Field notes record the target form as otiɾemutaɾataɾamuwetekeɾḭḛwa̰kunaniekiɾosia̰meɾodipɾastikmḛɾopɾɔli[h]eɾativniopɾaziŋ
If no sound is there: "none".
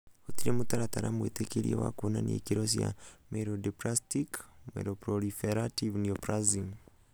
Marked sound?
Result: f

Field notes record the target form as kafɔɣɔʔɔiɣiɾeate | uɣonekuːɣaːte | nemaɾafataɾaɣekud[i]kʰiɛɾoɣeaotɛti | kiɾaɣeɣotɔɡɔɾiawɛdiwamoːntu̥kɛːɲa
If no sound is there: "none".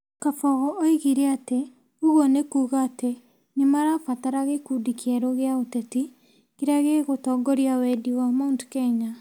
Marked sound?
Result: i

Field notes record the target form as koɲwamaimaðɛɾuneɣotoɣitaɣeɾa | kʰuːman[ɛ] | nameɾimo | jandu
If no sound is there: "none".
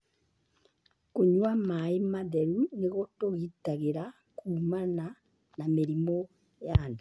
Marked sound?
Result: a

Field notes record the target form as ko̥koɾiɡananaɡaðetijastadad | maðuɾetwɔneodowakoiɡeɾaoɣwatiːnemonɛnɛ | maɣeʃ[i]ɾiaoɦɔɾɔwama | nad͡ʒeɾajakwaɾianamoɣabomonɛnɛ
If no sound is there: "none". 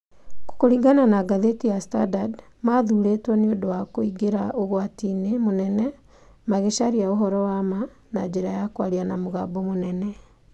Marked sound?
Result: a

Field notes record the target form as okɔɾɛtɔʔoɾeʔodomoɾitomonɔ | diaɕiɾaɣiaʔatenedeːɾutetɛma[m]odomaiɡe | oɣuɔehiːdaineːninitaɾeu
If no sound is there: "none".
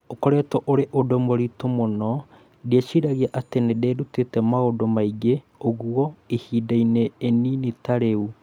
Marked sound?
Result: none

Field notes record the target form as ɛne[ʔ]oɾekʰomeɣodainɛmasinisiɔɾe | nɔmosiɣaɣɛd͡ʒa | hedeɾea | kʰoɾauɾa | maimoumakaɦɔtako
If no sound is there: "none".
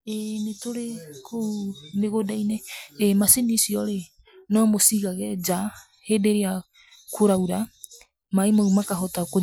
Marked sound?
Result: t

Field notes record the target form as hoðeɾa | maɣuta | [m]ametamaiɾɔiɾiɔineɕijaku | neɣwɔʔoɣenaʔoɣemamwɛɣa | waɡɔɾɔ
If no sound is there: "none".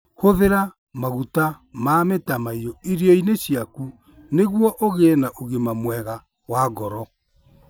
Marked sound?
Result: m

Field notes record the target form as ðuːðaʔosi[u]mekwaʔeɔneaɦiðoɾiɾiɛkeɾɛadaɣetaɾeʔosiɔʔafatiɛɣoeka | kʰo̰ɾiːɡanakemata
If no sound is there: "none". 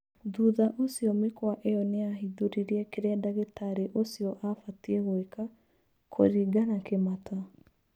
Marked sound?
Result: ɔ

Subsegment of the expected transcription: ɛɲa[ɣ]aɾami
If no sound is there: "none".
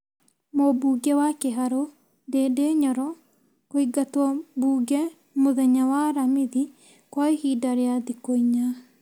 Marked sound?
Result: w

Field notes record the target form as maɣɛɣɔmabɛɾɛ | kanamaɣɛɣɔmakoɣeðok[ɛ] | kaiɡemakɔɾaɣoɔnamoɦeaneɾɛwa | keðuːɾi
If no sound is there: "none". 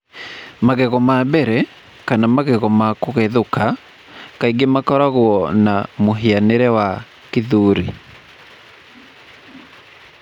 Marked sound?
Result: a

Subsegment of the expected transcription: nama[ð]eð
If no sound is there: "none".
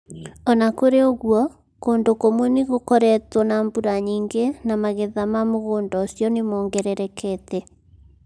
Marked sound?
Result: ɣ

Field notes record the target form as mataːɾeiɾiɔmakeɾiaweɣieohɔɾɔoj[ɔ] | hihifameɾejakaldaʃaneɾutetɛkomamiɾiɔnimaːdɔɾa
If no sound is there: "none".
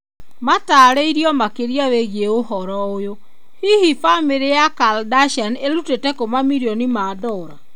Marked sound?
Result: o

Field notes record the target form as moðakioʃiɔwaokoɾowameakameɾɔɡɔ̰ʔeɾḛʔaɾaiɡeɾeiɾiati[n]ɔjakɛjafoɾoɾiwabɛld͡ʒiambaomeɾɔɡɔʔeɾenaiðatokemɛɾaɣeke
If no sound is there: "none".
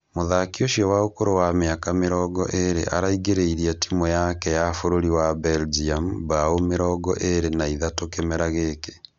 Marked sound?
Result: m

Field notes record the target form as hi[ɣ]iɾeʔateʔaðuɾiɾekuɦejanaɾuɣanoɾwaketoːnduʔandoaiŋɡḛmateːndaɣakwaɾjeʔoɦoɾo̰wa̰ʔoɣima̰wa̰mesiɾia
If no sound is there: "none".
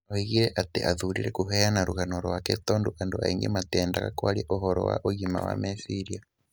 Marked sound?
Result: ɣ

